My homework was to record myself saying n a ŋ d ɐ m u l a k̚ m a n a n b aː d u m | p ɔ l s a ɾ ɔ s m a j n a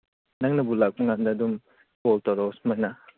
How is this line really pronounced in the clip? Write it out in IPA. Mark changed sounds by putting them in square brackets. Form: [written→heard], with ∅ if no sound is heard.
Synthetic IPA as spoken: n a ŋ [d→n] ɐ [m→b] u l a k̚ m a [n→ŋ] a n [b→d] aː d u m | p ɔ l [s→t] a ɾ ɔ s m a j n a